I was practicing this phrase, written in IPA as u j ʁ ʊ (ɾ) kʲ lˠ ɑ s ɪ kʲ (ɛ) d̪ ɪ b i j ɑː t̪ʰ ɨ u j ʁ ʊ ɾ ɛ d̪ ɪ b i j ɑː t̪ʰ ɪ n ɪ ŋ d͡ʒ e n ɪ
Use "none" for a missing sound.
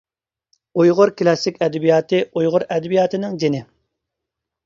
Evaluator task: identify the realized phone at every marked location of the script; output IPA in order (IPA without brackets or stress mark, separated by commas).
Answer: ɾ, ɛ